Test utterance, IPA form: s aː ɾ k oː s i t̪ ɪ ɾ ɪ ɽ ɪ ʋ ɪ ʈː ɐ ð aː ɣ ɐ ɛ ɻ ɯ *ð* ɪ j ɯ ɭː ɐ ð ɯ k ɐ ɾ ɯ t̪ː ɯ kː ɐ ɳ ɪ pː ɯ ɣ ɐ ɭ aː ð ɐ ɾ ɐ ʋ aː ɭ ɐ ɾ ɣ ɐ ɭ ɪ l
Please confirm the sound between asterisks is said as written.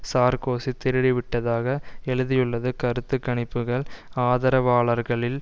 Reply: yes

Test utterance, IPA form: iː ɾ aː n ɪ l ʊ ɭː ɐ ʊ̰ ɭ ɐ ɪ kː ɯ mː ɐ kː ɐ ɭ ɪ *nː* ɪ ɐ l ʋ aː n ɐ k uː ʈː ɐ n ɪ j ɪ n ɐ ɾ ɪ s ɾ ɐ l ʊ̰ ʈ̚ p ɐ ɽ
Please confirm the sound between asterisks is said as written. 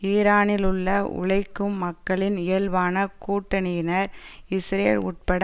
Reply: no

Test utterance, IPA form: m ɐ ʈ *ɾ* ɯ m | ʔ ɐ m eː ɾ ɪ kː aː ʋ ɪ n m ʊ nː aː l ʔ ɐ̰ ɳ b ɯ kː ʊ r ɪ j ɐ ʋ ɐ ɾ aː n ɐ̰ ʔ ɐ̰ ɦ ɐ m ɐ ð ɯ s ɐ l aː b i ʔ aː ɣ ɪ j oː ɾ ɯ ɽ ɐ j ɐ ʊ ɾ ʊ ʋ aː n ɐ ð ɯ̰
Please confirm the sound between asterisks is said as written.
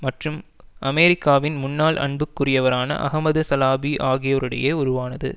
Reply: no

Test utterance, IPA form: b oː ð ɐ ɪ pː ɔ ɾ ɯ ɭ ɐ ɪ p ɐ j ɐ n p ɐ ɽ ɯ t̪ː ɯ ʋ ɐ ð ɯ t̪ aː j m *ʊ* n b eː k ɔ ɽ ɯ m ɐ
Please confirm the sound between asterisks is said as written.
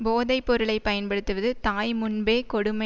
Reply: yes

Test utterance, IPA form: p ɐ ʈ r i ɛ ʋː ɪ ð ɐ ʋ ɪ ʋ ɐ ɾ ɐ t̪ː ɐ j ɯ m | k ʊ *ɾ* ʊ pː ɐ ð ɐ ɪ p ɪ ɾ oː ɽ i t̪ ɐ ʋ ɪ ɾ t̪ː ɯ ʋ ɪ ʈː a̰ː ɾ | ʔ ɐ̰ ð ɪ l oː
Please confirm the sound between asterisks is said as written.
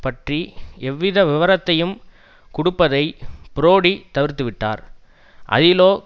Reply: no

